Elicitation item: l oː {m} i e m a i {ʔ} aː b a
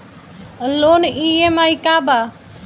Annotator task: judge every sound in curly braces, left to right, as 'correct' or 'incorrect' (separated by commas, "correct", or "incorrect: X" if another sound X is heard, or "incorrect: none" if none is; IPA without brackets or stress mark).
incorrect: n, incorrect: k